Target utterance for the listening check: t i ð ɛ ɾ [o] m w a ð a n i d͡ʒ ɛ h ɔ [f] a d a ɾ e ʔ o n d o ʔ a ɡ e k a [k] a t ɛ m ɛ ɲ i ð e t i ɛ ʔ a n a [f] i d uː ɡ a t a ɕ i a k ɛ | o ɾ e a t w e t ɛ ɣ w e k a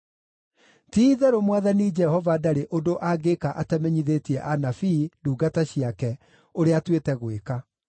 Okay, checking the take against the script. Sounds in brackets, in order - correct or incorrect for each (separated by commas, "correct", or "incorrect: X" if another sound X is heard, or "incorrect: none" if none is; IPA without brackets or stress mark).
correct, incorrect: v, incorrect: ʔ, correct